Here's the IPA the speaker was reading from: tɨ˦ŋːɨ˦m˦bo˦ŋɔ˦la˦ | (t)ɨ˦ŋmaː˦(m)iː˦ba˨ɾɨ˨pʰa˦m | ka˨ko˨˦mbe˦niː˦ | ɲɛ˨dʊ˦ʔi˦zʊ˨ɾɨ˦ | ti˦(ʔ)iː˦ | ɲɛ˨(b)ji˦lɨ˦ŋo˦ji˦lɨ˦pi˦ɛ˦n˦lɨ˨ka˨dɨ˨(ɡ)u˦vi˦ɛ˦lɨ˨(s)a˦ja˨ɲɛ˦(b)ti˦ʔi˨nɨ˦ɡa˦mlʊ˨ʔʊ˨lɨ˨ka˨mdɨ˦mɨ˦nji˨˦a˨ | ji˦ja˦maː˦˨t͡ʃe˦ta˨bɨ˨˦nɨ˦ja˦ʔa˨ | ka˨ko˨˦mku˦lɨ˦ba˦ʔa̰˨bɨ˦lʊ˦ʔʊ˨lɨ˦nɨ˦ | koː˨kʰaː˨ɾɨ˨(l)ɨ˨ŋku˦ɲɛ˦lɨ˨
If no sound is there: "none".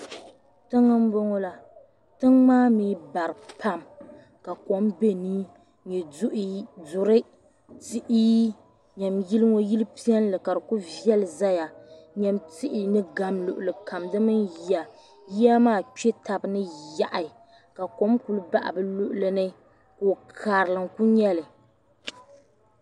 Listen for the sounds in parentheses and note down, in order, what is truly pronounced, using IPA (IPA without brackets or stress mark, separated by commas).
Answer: t, m, ʔ, m, k, z, m, l